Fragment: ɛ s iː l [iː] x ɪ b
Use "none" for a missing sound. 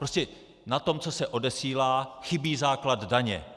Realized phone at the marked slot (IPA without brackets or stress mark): aː